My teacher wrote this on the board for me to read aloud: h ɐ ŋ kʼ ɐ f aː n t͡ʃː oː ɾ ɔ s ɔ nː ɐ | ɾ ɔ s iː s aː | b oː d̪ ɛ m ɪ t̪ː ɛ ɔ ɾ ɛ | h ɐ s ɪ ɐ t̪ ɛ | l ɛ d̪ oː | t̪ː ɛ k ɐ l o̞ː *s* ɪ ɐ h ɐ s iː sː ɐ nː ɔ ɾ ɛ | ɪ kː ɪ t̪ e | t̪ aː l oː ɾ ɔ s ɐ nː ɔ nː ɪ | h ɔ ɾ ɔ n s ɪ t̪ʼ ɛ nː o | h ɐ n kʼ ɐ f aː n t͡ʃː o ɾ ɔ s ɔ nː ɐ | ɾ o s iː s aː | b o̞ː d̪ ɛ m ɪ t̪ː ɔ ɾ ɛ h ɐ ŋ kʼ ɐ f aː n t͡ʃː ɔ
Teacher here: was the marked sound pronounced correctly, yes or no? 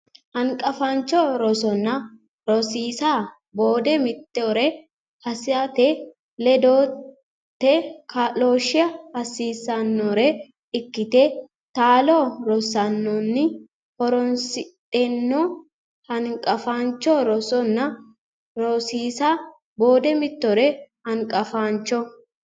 no